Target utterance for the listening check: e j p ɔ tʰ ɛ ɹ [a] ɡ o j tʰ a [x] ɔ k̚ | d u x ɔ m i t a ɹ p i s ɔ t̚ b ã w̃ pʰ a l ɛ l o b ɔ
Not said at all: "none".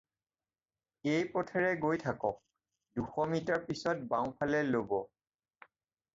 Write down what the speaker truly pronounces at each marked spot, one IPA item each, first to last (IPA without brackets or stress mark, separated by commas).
ɛ, k